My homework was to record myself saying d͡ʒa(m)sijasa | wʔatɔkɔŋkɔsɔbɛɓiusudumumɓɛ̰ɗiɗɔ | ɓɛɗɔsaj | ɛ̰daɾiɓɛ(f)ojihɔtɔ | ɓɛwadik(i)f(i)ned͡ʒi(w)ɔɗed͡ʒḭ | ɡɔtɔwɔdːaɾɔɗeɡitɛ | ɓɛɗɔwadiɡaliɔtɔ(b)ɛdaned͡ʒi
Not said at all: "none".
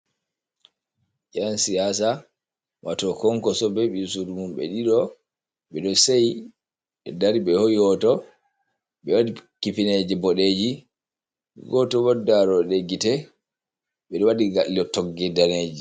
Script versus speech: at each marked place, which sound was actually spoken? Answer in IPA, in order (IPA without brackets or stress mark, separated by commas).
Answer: n, h, i, i, b, ɡ